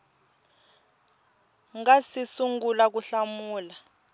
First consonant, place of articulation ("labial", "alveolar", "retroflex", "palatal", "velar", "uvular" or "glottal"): velar